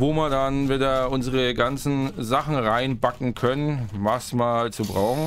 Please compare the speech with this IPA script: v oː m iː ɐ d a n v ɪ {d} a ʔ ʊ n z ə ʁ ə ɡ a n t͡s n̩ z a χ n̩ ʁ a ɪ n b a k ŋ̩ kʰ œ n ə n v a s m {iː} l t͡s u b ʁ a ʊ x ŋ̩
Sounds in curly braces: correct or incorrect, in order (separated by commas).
correct, incorrect